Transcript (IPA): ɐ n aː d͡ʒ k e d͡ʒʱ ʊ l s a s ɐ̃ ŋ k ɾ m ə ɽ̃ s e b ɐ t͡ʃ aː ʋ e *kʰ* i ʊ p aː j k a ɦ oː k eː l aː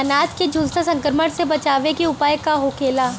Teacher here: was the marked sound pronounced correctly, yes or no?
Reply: no